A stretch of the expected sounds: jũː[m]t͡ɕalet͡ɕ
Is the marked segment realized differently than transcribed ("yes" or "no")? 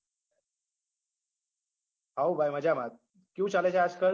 yes